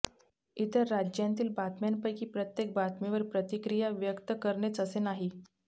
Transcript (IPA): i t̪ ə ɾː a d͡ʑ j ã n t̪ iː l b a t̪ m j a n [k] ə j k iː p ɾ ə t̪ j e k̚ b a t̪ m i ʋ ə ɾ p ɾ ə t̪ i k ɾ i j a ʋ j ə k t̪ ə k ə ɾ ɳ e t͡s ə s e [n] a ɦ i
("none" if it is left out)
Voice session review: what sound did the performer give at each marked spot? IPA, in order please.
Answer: p, n

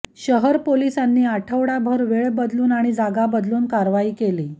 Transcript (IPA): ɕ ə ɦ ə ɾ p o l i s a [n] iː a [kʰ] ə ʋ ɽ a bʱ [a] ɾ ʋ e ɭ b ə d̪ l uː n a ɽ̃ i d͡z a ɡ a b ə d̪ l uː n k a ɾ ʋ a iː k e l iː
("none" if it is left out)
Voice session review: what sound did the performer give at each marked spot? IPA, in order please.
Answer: nː, ʈʰ, ə

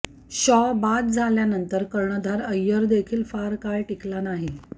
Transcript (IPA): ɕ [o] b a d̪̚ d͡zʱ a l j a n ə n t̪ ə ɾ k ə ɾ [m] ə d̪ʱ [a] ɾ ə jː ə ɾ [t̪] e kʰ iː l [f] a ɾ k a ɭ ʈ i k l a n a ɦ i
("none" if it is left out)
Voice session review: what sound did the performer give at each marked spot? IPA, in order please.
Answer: ɔ, ɳ, a, d̪, f

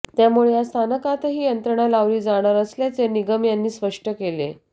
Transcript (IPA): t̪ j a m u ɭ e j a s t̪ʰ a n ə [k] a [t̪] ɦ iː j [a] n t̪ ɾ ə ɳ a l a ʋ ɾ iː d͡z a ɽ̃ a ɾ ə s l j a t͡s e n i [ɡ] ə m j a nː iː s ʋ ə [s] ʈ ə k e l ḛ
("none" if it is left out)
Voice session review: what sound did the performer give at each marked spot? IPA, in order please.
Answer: k, t̪, ə, ɡ, ʂ

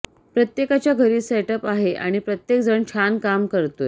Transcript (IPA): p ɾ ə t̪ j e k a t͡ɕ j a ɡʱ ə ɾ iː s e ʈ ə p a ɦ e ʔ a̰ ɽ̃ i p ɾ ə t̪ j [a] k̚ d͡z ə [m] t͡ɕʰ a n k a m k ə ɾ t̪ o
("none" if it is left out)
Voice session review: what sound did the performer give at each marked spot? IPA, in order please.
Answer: e, ɳ

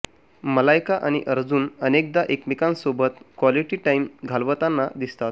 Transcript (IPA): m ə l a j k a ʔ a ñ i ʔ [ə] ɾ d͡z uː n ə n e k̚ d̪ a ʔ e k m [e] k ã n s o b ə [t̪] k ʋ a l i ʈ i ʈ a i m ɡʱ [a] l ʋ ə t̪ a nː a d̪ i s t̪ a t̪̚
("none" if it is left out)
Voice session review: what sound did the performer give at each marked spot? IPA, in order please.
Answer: ə, i, t̪, a

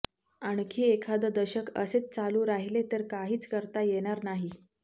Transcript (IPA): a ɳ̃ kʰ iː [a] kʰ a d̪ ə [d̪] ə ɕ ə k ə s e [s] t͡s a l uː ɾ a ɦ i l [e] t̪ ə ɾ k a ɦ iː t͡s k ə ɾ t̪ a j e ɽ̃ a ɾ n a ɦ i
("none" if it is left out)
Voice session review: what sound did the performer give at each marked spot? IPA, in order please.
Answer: e, d̪, t͡s, e

